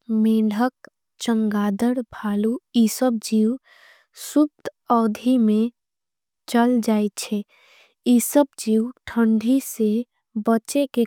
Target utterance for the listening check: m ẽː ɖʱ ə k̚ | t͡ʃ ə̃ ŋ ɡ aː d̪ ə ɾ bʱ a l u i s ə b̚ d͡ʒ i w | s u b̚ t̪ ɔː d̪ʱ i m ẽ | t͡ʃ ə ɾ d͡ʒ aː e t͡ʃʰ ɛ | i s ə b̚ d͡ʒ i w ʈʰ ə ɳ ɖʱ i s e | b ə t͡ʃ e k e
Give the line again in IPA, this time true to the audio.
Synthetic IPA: m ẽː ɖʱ ə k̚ | t͡ʃ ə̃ ŋ ɡ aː d̪ ə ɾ bʱ a l u i s ə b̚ d͡ʒ i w | s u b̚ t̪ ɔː d̪ʱ i m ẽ | t͡ʃ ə l d͡ʒ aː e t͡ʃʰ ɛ | i s ə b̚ d͡ʒ i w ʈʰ ə ɳ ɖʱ i s e | b ə t͡ʃ e k e